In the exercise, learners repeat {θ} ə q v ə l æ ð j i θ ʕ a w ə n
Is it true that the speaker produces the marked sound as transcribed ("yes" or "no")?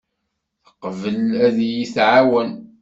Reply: yes